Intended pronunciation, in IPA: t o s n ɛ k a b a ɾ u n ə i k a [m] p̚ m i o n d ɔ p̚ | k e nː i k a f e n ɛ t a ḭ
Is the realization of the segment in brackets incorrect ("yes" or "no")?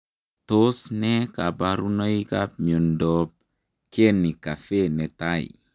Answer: yes